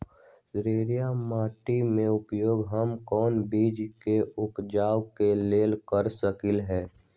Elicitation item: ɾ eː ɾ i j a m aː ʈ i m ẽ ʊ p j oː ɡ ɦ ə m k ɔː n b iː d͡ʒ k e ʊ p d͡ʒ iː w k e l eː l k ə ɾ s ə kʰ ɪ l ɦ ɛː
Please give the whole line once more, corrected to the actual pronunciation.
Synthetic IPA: ɾ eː ɾ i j a m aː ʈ i m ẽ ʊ p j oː ɡ ɦ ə m k ɔː n b iː d͡ʒ k e ʊ p d͡ʒ aː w k e l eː l k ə ɾ s ə k ɪ l ɦ ɛː

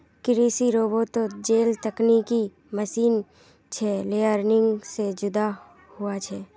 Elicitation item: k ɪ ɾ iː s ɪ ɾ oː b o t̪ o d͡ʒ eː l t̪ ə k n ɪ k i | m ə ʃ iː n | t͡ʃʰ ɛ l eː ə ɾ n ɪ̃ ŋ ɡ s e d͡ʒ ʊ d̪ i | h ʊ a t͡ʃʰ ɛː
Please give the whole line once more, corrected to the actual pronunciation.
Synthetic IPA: k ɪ ɾ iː s i ɾ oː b o t̪ o d͡ʒ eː l t̪ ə k n i k i | m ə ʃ iː n | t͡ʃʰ ɛ l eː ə ɾ n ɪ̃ ŋ ɡ s e d͡ʒ ʊ d̪ a | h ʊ a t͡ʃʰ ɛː

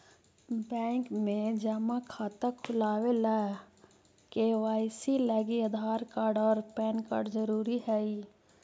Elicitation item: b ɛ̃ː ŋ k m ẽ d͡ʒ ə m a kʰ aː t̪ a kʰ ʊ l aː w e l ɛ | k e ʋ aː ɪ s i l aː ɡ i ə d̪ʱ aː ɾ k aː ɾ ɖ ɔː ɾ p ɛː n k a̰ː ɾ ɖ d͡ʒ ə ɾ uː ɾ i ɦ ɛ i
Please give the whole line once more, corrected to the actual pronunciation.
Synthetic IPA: b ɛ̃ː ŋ k m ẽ d͡ʒ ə m a kʰ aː t̪ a kʰ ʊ l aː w e l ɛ | k e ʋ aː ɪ s i l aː ɡ i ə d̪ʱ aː ɾ k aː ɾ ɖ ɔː ɾ p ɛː n k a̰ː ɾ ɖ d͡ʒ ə ɾ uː ɾ i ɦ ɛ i

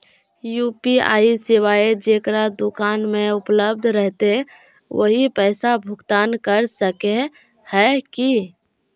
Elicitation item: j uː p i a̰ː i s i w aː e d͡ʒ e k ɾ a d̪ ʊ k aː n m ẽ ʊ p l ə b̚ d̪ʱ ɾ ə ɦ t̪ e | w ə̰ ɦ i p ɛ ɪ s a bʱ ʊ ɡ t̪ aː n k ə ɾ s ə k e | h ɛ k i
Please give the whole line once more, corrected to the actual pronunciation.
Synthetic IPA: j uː p i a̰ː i s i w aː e d͡ʒ e k ɾ a d̪ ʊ k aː n m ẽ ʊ p l ə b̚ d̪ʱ ɾ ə ɦ t̪ e | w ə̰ ɦ i p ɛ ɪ s a bʱ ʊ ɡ t̪ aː n k ə ɾ s ə k e | h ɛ k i

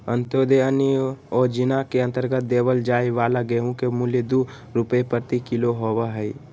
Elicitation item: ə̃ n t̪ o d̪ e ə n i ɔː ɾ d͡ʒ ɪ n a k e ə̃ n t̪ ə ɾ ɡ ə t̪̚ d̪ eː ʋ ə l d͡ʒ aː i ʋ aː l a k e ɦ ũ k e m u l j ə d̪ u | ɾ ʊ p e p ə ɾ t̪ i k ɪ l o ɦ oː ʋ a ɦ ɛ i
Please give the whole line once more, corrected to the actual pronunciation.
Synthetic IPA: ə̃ n t̪ o d̪ e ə n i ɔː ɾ d͡ʒ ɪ n a k e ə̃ n t̪ ə ɾ ɡ ə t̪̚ d̪ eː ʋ ə l d͡ʒ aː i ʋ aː l a ɡ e ɦ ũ k e m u l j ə d̪ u | ɾ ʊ p e p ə ɾ t̪ i k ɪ l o ɦ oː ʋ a ɦ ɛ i

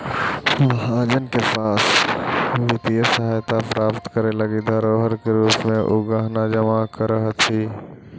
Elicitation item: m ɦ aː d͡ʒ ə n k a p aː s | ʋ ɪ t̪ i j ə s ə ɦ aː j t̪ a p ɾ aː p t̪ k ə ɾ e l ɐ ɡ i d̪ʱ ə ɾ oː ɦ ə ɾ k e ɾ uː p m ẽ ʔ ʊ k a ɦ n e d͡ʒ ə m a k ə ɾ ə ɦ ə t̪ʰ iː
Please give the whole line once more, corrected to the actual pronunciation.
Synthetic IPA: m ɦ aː d͡ʒ ə n k e p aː s | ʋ ɪ t̪ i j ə s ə ɦ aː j t̪ a p ɾ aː p t̪ k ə ɾ e l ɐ ɡ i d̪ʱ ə ɾ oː ɦ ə ɾ k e ɾ uː p m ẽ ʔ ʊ ɡ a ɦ n a d͡ʒ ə m a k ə ɾ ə ɦ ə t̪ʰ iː

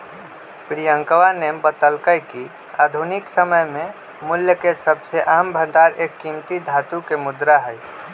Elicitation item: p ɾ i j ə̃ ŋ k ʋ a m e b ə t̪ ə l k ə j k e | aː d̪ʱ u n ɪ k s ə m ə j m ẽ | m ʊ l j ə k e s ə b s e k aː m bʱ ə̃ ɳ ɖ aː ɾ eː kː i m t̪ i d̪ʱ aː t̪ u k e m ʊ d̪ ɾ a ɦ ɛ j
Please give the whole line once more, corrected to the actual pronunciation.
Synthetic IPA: p ɾ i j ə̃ ŋ k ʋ a n e b ə t̪ ə l k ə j k i | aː d̪ʱ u n ɪ k s ə m ə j m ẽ | m ʊ l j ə k e s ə b s e ʔ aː m bʱ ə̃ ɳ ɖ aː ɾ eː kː i m t̪ i d̪ʱ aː t̪ u k e m ʊ d̪ ɾ a ɦ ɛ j

